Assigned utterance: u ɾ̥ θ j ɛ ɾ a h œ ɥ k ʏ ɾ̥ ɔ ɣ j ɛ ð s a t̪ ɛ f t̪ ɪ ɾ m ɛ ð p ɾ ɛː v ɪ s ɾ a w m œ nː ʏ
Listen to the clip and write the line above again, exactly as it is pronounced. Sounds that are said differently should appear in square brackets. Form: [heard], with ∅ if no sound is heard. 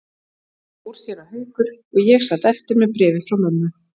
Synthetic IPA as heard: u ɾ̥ [s] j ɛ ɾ a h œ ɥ k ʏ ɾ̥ ɔ ɣ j ɛ [ɣ] s a t̪ ɛ f t̪ ɪ ɾ m ɛ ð p ɾ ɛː v ɪ [f] ɾ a w m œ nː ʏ